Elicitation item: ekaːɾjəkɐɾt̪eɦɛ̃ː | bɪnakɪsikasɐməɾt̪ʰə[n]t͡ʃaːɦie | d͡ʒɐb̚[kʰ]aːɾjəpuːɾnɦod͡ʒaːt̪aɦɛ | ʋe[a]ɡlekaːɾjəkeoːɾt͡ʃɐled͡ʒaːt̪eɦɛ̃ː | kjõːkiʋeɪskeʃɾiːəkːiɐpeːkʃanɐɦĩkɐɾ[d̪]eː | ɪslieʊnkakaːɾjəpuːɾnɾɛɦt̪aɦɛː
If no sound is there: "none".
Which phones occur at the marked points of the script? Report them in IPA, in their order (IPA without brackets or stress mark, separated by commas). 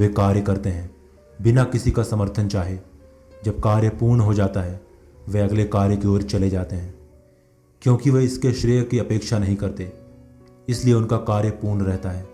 n, k, ɐ, t̪